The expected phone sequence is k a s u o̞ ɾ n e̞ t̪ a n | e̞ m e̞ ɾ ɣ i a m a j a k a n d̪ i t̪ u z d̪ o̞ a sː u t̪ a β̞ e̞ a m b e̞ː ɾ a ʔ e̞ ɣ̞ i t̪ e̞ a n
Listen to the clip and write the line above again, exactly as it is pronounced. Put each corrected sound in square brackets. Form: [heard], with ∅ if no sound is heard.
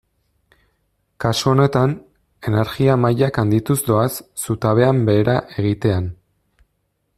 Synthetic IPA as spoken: k a s u o̞ [∅] n e̞ t̪ a n | e̞ [n] e̞ ɾ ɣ i a m a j a k a n d̪ i t̪ u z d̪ o̞ a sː u t̪ a β̞ e̞ a m b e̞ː ɾ a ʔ e̞ ɣ̞ i t̪ e̞ a n